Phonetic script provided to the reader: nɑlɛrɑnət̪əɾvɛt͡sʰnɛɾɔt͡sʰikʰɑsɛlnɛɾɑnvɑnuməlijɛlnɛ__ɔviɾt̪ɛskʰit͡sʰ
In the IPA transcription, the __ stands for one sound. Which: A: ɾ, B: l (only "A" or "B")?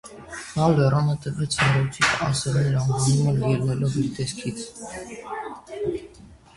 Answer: B